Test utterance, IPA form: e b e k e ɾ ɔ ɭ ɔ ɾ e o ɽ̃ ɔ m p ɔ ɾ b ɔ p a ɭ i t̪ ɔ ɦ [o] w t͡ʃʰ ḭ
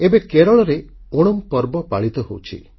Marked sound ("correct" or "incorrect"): correct